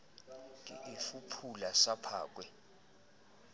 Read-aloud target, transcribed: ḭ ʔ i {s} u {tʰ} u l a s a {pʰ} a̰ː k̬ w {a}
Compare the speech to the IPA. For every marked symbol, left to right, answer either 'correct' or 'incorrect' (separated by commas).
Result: incorrect, incorrect, correct, incorrect